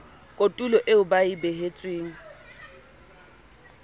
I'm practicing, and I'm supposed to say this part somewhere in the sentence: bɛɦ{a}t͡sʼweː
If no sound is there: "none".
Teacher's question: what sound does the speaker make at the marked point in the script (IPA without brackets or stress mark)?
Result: e